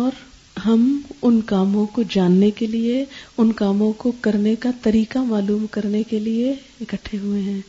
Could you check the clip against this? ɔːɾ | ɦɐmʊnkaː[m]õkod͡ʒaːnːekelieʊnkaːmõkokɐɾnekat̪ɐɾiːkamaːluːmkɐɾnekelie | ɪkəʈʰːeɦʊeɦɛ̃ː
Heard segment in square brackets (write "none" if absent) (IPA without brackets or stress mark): m